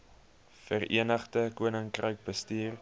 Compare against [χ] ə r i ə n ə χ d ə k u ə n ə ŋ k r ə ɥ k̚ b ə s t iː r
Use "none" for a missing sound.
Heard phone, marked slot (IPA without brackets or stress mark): f